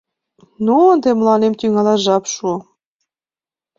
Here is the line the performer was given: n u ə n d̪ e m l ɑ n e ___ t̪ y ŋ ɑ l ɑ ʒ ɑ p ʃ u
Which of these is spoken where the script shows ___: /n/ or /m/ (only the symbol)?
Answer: m